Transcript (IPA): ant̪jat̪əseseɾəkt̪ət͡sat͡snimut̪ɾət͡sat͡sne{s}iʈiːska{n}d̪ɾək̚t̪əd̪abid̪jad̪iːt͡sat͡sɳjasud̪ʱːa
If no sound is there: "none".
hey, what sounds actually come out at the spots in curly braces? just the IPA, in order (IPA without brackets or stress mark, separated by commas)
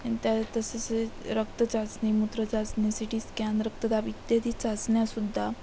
s, n